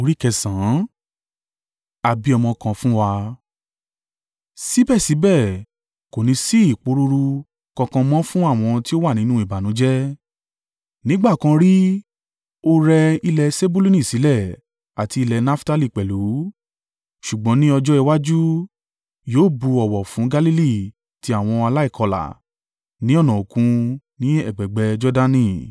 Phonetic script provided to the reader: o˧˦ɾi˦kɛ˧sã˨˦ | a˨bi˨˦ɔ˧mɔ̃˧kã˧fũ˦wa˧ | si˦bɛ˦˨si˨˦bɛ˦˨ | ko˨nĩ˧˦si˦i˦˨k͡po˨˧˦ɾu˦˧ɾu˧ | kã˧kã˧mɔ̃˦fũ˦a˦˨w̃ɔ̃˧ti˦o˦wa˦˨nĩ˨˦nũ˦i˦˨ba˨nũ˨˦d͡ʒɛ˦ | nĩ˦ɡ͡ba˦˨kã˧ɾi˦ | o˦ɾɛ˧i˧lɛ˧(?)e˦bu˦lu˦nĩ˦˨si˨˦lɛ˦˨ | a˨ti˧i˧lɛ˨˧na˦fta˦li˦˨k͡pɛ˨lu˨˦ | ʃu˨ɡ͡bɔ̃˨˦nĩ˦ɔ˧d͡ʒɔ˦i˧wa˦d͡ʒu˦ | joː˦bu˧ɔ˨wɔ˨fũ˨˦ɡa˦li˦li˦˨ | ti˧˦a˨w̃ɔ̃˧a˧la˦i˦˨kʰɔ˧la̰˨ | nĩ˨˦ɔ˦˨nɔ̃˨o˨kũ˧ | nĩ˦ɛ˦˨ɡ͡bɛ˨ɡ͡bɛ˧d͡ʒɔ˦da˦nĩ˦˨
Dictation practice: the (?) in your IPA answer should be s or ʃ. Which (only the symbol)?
s